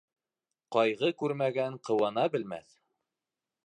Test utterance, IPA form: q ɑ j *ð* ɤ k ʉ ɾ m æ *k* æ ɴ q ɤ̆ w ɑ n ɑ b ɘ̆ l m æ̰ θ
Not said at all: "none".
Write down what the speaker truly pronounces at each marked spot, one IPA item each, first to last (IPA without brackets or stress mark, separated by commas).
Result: ʁ, ɡ